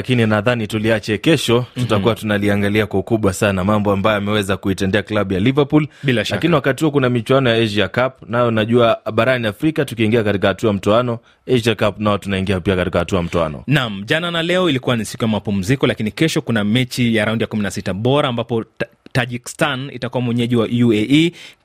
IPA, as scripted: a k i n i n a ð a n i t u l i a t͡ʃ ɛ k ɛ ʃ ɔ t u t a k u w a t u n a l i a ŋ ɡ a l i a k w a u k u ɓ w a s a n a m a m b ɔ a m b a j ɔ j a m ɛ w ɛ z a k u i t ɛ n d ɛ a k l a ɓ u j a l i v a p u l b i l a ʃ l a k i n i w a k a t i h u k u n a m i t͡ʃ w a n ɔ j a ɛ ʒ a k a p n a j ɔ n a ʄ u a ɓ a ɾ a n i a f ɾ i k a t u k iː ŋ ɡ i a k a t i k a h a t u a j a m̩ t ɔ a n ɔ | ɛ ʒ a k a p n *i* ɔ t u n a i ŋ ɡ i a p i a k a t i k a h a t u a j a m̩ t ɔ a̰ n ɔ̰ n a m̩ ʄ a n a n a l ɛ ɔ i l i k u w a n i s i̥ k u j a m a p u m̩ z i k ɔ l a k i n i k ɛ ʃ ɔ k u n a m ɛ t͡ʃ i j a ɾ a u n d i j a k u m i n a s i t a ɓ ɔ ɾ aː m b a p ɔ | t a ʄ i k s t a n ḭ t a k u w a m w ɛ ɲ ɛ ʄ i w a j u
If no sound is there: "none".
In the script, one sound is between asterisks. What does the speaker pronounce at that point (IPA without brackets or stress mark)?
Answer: a